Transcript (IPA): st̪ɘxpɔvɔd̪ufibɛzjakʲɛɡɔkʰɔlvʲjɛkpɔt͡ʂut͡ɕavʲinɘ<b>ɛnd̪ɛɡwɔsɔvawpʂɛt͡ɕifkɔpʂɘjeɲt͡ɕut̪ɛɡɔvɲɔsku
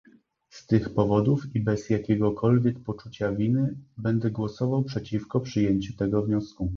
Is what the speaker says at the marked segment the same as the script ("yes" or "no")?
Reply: yes